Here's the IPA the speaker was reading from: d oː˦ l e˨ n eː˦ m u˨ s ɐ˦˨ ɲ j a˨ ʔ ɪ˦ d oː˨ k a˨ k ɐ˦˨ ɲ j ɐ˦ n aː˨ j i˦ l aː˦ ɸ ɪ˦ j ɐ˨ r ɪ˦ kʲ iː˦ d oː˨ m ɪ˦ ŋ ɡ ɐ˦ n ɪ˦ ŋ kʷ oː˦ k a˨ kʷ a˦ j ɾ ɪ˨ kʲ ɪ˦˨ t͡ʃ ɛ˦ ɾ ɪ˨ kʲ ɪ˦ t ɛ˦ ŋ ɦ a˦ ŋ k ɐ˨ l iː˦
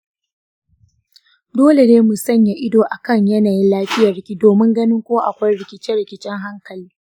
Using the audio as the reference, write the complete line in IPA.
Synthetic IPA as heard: d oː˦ l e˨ n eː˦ m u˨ s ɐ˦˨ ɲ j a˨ ʔ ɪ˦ d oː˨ ʔ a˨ k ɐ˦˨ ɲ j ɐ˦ n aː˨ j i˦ l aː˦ ɸ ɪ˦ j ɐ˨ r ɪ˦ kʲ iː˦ d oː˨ m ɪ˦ ŋ ɡ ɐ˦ n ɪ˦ ŋ kʷ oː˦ ʔ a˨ kʷ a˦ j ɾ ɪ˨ kʲ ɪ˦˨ t͡ʃ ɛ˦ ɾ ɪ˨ kʲ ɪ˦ t͡ʃ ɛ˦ ŋ ɦ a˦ ŋ k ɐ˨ l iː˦